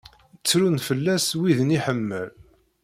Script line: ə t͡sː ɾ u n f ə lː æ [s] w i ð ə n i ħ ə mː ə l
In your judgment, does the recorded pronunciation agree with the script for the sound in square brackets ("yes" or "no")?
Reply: yes